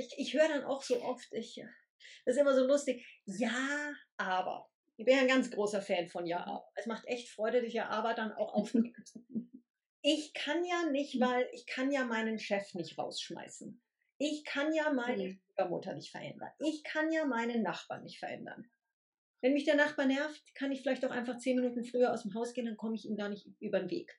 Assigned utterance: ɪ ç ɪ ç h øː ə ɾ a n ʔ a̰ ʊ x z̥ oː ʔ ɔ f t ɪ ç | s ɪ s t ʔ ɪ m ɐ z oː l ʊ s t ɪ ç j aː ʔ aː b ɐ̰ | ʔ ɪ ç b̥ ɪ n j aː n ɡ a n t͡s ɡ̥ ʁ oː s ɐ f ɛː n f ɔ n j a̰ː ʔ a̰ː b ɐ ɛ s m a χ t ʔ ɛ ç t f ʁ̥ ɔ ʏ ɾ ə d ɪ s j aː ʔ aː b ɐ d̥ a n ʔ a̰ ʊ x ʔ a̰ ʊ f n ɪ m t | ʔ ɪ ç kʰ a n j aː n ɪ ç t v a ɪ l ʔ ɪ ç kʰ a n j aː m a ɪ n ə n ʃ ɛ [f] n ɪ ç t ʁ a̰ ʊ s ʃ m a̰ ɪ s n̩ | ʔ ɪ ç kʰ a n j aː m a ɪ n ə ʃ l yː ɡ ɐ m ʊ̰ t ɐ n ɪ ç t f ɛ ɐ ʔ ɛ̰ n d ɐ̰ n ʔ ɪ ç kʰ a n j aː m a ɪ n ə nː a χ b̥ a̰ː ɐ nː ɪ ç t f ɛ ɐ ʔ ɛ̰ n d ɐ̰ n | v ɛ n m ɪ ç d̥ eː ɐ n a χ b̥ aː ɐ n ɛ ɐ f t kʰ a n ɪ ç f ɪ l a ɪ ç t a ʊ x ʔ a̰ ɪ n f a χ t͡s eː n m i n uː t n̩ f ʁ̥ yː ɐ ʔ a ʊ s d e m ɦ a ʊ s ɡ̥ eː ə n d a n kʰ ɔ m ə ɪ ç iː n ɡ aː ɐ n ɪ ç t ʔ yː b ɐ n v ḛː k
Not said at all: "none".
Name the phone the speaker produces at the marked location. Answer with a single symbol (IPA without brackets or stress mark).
f